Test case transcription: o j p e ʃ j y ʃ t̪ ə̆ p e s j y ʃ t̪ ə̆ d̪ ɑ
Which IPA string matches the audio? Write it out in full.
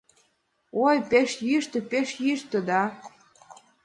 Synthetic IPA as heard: o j p e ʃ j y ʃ t̪ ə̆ p e ʃ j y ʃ t̪ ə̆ d̪ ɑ

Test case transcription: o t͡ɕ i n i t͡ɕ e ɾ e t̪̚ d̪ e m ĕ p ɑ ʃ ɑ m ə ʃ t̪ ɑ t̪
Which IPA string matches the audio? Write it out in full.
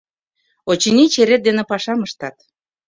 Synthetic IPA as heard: o t͡ɕ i n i t͡ɕ e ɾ e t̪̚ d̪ e n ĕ p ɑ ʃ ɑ m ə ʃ t̪ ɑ t̪

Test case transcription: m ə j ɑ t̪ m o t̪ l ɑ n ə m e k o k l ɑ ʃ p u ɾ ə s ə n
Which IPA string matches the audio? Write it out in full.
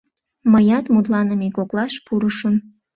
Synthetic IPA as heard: m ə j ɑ t̪ m u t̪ l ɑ n ə m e k o k l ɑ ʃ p u ɾ ə ʃ ə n

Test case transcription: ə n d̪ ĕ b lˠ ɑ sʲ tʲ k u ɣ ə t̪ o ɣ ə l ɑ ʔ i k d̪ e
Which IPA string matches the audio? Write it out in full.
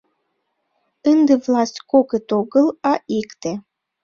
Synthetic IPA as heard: ə n d̪ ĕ v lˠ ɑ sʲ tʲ k o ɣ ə t̪ o ɣ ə l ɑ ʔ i k t̪ e

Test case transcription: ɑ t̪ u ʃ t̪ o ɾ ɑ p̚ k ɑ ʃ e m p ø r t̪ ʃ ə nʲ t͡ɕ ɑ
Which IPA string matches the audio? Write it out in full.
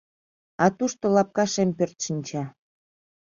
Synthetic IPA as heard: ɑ t̪ u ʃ t̪ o l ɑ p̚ k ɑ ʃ e m p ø r t̪ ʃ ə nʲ t͡ɕ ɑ

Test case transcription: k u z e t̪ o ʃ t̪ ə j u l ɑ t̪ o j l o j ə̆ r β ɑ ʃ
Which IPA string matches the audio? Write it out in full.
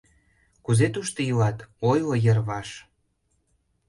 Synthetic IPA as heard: k u z e t̪ u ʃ t̪ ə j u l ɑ t̪ o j l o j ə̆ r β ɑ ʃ

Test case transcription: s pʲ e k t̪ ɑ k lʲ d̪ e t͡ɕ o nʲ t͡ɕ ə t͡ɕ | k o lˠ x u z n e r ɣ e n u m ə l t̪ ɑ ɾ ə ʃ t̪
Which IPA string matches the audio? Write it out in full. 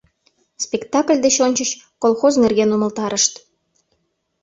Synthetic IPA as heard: s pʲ e k t̪ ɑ k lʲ d̪ e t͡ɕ o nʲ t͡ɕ ə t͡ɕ | k o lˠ x o z n e r ɣ e n u m ə l t̪ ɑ ɾ ə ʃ t̪

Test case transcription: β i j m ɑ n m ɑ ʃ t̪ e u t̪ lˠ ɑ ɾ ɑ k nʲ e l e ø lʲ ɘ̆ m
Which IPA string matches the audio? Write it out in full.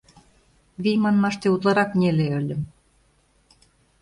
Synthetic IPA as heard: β i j m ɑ n m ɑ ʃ t̪ e u t̪ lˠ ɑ ɾ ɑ k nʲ e l e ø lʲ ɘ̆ m

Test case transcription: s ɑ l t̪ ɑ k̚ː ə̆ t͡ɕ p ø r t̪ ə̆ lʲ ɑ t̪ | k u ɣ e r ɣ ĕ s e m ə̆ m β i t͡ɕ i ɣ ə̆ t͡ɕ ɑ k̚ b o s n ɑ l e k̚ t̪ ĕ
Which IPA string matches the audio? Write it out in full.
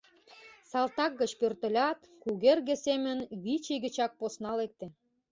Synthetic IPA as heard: s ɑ l t̪ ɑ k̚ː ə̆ t͡ɕ p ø r t̪ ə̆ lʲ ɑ t̪ | k u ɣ e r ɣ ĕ s e m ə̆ n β i t͡ɕ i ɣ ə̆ t͡ɕ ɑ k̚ p o s n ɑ l e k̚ t̪ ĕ

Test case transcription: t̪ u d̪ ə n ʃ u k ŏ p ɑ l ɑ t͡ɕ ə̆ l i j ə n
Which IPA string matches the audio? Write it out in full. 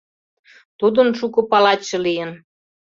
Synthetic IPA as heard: t̪ u d̪ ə n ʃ u k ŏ p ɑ l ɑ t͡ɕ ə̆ l i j ə n

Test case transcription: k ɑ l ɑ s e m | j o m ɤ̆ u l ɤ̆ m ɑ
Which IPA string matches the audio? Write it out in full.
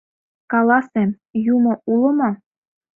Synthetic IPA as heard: k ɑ l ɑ s e m | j u m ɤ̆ u l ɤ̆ m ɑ

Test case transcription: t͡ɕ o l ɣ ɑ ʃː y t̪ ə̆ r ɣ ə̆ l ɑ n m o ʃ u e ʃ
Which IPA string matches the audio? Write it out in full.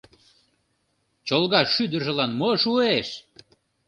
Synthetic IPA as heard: t͡ɕ o l ɣ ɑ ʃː y d̪ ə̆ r ʒ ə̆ l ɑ n m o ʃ u e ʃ

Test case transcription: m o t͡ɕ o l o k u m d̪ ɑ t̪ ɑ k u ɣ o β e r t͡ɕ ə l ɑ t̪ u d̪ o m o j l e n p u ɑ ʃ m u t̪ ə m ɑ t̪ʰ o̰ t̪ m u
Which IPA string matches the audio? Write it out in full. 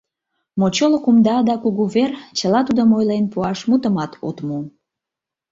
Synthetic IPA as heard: m o t͡ɕ o l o k u m d̪ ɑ d̪ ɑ k u ɣ u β e r t͡ɕ ə l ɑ t̪ u d̪ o m o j l e n p u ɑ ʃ m u t̪ ə m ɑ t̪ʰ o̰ t̪ m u

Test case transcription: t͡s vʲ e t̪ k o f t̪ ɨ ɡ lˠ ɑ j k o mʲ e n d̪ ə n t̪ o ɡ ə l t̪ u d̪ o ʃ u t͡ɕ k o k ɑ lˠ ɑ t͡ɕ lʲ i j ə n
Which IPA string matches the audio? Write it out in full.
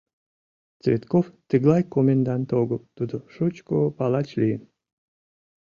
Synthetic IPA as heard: t͡s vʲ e t̪ k o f t̪ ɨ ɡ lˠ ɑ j k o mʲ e n d̪ ɑ n t̪ o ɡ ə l t̪ u d̪ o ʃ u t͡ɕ k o p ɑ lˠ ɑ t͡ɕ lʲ i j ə n

